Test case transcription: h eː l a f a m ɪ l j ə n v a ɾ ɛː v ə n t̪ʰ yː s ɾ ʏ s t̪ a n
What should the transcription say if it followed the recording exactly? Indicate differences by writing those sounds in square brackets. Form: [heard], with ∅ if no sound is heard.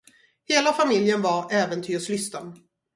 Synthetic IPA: h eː l a f a m ɪ l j ə n v a ɾ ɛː v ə n t̪ʰ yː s [l] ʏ s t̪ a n